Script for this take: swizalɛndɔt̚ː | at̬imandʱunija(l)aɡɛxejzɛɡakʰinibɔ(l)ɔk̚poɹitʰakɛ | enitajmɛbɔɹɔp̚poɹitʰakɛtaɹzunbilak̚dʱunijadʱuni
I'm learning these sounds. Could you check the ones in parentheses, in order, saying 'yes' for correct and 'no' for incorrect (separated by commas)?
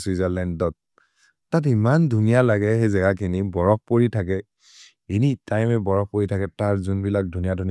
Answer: yes, no